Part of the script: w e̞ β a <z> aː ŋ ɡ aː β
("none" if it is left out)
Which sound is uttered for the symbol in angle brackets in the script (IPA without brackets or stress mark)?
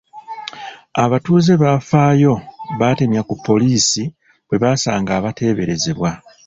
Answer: s